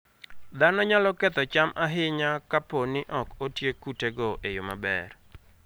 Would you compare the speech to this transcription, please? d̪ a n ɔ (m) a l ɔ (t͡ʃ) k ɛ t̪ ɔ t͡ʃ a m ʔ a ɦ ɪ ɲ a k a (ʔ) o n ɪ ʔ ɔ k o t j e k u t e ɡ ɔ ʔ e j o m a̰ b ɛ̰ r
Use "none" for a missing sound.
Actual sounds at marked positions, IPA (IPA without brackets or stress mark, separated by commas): ɲ, none, p